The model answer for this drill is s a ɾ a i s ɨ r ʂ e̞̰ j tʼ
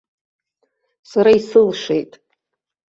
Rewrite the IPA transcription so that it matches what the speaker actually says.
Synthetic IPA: s a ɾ a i s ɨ l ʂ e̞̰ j tʼ